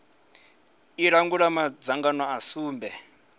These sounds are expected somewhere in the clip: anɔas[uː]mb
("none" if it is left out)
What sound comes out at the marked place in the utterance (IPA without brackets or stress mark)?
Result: uː